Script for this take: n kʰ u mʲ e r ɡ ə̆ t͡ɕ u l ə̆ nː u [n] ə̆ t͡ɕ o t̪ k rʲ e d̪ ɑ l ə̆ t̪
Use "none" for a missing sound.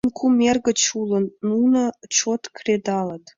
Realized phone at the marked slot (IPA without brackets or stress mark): n